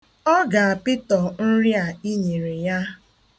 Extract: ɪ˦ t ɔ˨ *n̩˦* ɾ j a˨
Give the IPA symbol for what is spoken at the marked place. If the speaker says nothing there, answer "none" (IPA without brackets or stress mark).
n̩˦